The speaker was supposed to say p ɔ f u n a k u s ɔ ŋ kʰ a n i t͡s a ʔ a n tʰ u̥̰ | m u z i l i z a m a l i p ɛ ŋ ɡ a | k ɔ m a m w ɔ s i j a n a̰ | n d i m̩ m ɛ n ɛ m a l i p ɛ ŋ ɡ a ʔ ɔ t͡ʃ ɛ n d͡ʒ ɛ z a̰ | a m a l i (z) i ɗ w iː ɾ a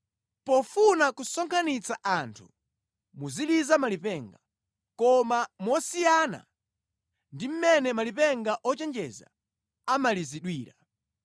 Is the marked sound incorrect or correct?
correct